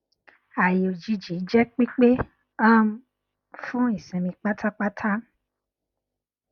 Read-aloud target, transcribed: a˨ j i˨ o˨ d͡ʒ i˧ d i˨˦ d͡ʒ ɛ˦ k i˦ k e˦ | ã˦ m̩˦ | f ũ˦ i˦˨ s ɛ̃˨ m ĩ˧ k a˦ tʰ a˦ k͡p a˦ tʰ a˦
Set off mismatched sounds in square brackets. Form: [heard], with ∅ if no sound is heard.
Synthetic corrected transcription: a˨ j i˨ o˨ d͡ʒ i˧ [d͡ʒ] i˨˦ d͡ʒ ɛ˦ [k͡p] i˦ [k͡p] e˦ | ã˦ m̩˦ | f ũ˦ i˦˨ s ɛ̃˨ m ĩ˧ [k͡p] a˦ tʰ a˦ k͡p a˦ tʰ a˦

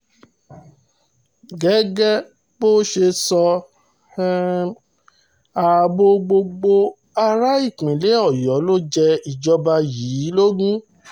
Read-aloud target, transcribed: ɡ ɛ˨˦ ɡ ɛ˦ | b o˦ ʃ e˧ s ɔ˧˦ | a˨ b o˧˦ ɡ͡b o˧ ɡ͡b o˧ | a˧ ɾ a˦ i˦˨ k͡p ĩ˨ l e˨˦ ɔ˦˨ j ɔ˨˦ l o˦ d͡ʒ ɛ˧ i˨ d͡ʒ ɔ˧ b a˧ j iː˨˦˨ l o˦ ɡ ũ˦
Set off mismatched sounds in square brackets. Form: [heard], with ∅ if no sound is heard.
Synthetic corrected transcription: ɡ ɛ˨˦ ɡ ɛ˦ | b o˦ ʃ e˧ s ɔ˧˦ | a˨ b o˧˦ ɡ͡b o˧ ɡ͡b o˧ | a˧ ɾ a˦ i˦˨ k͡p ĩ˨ l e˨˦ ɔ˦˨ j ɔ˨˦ l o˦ d͡ʒ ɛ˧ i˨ d͡ʒ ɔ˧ b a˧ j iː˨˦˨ l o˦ ɡ ũ˦

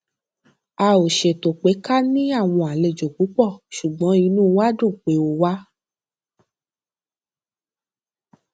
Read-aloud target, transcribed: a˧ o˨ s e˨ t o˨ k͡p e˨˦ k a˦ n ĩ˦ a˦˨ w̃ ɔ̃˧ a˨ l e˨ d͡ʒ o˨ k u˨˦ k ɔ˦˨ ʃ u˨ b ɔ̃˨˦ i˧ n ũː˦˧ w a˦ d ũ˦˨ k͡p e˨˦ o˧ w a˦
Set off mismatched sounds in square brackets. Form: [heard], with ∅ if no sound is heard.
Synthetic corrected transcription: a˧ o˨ [ʃ] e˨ t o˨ k͡p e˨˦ k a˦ n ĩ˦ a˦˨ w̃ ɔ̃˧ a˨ l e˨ d͡ʒ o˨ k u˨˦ [k͡p] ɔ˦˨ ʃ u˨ [ɡ͡b] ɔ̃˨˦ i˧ n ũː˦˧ w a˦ d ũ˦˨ k͡p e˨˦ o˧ w a˦

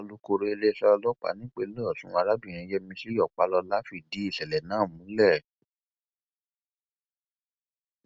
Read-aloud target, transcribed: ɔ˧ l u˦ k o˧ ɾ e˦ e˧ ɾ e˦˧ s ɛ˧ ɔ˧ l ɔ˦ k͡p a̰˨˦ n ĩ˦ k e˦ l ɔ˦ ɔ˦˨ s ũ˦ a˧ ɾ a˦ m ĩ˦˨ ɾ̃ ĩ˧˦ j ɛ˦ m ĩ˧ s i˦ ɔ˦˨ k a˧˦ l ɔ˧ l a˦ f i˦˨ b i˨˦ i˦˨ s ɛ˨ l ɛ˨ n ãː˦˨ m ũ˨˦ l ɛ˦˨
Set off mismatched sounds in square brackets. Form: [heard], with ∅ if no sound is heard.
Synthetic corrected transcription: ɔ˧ l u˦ k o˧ ɾ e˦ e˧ [l] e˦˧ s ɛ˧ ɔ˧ l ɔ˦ k͡p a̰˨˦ n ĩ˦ [k͡p] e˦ l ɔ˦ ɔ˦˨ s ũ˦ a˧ ɾ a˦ [b] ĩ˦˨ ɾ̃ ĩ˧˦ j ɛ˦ m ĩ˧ s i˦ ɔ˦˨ [k͡p] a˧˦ l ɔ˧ l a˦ f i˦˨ [d] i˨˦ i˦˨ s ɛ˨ l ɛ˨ n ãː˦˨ m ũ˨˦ l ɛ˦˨

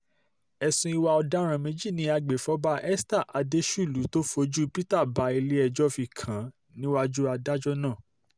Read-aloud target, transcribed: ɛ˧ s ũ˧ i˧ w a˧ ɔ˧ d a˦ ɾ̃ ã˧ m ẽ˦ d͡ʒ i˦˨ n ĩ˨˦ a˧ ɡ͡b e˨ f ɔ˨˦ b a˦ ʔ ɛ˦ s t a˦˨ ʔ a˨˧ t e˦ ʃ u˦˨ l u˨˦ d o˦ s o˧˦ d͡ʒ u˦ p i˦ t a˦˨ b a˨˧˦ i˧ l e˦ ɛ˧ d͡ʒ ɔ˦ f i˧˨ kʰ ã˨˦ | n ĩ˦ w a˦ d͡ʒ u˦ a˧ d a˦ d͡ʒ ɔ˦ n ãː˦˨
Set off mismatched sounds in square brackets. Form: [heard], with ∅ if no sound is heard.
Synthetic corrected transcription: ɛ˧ s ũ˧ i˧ w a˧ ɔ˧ d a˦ ɾ̃ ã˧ m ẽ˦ d͡ʒ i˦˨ n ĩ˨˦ a˧ ɡ͡b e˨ f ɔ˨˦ b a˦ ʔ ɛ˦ s t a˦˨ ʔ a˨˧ [d] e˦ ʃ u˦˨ l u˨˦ [t] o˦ [f] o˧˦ d͡ʒ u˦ p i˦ t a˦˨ b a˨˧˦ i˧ l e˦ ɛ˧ d͡ʒ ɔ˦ f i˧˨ kʰ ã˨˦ | n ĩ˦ w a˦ d͡ʒ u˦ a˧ d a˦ d͡ʒ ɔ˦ n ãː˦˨

